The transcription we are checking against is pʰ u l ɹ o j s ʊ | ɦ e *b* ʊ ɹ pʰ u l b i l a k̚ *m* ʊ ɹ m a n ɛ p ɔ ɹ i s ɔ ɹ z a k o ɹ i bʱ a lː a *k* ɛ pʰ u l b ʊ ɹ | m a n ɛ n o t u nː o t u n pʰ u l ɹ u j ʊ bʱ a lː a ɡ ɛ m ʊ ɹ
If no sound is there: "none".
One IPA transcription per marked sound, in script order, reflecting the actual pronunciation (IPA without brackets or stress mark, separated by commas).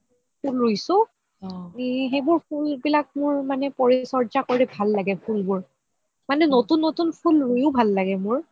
b, m, ɡ